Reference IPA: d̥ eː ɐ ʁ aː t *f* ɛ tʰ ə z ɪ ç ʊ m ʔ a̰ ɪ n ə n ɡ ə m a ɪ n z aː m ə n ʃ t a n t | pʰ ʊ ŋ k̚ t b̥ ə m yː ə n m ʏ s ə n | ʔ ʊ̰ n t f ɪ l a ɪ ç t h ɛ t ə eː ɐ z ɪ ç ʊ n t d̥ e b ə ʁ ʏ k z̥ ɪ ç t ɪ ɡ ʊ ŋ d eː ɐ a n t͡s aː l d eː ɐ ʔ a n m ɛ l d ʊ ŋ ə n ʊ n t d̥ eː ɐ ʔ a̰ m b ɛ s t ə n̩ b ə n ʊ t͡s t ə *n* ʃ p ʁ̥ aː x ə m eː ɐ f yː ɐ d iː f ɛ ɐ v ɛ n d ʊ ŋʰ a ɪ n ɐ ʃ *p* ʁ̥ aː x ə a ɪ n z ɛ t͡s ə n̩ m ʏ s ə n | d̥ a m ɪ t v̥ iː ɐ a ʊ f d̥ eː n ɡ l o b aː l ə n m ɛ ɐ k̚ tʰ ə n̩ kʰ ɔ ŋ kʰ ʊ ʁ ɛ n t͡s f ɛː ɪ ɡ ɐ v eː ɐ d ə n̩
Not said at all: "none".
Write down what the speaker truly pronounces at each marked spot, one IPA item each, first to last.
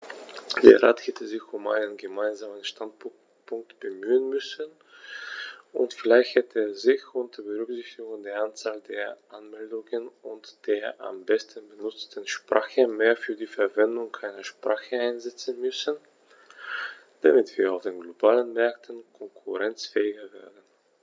h, n, p

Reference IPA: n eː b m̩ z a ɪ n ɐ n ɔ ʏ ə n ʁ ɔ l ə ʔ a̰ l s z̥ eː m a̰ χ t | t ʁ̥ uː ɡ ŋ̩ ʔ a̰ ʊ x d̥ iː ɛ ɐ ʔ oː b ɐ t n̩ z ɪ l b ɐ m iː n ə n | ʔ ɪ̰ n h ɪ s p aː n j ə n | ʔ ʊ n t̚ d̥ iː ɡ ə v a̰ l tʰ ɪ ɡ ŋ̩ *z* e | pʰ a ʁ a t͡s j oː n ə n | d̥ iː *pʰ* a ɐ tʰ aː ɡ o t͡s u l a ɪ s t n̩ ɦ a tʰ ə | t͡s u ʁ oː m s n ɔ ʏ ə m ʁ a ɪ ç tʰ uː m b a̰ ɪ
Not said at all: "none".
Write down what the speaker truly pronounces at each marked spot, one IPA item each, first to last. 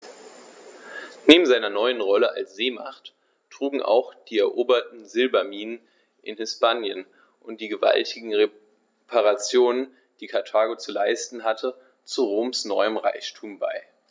ʁ, kʰ

